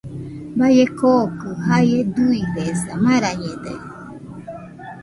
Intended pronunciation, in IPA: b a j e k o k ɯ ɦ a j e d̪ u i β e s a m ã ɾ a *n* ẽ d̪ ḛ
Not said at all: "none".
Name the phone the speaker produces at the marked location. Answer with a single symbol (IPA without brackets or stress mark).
ɲ